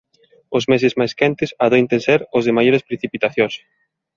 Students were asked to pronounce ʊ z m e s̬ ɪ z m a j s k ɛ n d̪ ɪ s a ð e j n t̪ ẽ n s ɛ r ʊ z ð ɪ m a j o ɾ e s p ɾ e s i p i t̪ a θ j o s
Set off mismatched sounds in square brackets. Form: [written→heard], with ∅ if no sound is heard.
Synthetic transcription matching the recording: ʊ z m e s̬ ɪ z m a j s k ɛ n [d̪→t̪] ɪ s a ð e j n t̪ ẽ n s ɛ [r→ɾ] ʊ z ð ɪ m a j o ɾ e s p ɾ e [s→θ] i p i t̪ a θ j o s